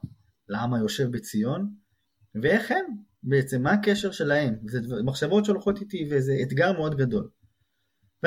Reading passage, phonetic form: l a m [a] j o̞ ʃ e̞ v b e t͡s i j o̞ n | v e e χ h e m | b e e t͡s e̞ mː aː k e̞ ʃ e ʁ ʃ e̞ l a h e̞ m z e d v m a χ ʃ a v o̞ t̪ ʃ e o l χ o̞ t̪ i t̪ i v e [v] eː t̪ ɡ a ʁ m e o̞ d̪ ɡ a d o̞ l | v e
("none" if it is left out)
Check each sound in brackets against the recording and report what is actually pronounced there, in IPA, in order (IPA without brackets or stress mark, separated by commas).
a, z